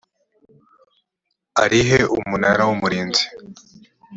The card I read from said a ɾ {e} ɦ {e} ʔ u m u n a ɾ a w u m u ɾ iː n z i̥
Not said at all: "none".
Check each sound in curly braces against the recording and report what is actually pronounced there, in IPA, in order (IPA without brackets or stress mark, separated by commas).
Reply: i, e